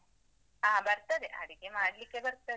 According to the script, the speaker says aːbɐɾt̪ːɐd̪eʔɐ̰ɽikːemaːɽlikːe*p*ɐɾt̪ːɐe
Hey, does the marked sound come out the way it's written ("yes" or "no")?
no